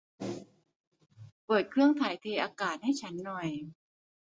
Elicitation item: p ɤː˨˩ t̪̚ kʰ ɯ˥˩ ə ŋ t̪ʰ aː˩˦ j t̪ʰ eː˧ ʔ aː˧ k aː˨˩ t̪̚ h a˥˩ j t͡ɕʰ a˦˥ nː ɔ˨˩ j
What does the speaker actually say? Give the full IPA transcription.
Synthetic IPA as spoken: p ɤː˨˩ t̪̚ kʰ ɯ˥˩ ə ŋ t̪ʰ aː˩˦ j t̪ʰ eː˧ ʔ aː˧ k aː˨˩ t̪̚ h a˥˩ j t͡ɕʰ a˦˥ nː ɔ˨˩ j